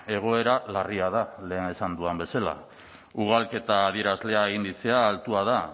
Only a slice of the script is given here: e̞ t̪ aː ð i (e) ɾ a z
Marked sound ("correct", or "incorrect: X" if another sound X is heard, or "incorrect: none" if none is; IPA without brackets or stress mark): correct